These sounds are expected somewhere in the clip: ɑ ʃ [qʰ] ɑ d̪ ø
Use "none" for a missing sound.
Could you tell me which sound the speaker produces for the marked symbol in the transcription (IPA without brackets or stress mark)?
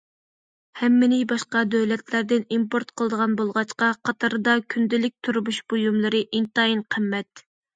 q